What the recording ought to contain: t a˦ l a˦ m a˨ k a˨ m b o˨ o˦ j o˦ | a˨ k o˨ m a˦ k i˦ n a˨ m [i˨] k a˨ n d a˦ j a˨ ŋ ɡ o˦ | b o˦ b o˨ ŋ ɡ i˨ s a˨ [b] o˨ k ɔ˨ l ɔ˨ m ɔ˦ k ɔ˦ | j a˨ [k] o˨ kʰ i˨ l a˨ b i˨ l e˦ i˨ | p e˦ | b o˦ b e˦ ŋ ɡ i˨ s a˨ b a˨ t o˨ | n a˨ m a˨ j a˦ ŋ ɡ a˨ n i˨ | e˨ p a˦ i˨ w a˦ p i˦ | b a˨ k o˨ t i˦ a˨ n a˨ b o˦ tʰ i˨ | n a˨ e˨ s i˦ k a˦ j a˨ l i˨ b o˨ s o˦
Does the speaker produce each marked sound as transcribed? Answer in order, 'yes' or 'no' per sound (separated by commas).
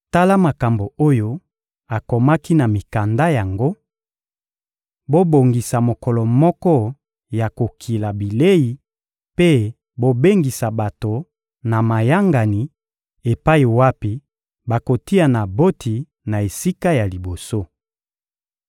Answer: yes, no, yes